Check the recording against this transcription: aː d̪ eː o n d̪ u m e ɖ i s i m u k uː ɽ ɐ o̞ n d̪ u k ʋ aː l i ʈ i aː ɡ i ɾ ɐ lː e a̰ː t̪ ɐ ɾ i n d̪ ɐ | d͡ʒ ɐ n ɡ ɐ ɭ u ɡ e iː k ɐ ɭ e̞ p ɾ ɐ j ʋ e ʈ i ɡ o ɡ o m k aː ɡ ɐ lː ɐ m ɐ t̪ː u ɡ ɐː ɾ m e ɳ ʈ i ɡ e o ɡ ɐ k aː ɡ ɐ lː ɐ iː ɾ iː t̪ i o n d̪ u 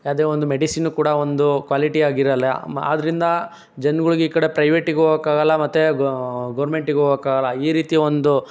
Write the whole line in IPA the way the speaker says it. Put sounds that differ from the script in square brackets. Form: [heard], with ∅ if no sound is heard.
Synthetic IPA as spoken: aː d̪ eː o n d̪ u m e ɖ i s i [n] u k uː ɽ ɐ o̞ n d̪ u k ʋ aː l i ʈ i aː ɡ i ɾ ɐ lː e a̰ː [d̪] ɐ ɾ i n d̪ ɐ | d͡ʒ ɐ n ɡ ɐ ɭ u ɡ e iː k ɐ [ɽ] e̞ p ɾ ɐ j ʋ e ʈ i ɡ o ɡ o [∅] k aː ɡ ɐ lː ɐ m ɐ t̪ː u ɡ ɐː ɾ m e ɳ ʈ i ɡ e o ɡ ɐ k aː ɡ ɐ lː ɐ iː ɾ iː t̪ i o n d̪ u